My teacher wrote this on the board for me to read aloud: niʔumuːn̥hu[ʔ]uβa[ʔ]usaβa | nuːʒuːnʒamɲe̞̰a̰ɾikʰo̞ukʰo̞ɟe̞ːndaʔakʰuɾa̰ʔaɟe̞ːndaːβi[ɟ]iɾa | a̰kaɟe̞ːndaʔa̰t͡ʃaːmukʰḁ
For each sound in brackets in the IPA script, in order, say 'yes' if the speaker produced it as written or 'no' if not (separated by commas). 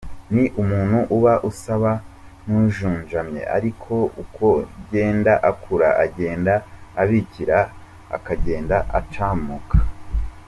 yes, yes, no